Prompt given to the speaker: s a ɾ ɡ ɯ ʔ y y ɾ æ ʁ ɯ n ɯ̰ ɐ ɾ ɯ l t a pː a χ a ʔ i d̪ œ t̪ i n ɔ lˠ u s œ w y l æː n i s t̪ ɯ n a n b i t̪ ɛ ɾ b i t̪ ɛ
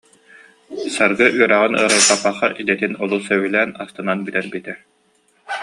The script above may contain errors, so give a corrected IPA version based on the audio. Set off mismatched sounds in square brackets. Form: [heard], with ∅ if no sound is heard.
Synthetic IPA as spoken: s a ɾ ɡ ɯ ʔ y [œ] ɾ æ ʁ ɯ n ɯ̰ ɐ ɾ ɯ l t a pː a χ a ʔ i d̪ [ɛ] t̪ i n ɔ lˠ u s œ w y l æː n [a] s t̪ ɯ n a n b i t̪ ɛ ɾ b i t̪ ɛ